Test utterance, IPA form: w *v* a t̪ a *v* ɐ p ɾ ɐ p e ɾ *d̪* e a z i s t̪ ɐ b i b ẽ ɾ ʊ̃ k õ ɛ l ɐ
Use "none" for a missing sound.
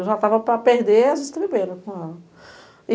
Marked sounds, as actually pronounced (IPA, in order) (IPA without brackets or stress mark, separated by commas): ʒ, v, d̪